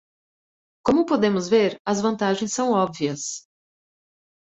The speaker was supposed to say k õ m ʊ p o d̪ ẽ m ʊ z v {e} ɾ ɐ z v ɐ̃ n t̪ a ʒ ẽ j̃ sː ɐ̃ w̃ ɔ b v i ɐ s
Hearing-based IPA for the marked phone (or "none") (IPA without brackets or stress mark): e